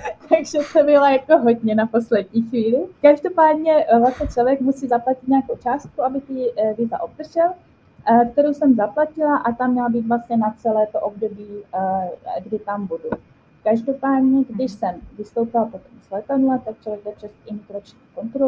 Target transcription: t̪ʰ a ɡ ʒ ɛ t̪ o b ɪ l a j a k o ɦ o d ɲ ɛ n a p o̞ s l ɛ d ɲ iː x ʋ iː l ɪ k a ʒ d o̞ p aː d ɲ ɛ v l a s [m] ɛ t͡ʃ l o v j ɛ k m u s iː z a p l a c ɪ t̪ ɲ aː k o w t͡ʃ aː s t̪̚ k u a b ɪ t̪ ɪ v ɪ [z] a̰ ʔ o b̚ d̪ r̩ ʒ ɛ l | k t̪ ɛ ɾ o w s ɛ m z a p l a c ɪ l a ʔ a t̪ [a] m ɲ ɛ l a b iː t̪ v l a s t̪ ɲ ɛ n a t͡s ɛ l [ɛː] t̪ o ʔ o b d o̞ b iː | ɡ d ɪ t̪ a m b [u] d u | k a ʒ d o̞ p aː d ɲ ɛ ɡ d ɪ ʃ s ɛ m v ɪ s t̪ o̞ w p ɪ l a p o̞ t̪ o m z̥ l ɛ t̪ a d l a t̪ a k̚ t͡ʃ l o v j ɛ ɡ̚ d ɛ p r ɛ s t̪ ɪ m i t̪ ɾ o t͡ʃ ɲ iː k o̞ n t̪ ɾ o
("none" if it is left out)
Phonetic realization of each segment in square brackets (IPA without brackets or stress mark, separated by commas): ɲ, z, a, ɛː, u